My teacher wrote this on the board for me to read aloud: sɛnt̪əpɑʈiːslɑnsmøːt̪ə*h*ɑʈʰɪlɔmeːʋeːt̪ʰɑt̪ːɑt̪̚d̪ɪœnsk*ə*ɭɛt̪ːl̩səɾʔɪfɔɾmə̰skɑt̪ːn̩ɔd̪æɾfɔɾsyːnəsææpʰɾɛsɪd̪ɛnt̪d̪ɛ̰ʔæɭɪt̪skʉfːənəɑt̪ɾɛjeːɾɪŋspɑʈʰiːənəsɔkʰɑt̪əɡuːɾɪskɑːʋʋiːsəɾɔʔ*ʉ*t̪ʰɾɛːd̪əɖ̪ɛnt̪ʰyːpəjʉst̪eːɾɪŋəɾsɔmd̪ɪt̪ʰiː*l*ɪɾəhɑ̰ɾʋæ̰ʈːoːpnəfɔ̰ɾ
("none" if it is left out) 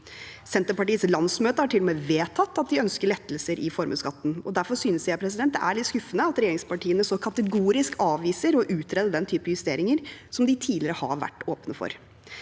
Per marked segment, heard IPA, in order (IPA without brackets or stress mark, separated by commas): h, ə, ʉː, l